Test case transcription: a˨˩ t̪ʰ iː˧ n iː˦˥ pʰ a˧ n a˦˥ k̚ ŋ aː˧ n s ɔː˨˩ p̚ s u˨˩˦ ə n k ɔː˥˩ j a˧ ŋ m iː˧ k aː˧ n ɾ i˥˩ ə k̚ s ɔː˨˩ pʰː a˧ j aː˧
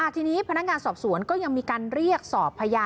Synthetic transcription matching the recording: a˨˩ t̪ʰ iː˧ n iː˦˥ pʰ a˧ n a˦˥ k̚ ŋ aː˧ n s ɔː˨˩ p̚ s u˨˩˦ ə n k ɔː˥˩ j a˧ ŋ m iː˧ k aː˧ n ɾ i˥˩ ə k̚ s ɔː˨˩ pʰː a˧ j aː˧